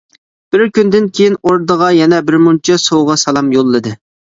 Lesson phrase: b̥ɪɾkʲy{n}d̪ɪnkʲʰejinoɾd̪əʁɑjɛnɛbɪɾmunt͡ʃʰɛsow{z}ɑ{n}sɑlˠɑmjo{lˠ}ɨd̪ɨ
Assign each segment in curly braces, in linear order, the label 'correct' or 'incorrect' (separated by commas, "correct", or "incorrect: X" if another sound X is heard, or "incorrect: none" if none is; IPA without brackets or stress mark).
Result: correct, incorrect: ʁ, incorrect: none, incorrect: lˠː